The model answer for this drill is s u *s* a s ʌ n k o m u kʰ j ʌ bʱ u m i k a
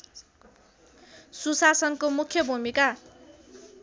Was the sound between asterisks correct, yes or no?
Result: yes